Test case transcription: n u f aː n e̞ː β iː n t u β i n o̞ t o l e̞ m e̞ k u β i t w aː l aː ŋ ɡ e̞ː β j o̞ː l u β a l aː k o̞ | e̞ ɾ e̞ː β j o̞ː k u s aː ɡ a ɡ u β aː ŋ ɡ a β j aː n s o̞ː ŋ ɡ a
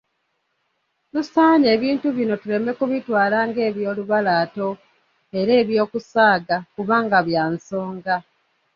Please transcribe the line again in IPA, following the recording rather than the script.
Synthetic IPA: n u s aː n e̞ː β iː n t u β i n o̞ t u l e̞ m e̞ k u β i t w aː l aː ŋ ɡ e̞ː β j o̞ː l u β a l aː t o̞ | e̞ ɾ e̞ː β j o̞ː k u s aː ɡ a k u β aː ŋ ɡ a β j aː n s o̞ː ŋ ɡ a